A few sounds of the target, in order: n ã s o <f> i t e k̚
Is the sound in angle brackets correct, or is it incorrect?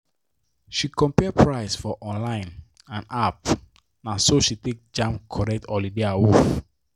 incorrect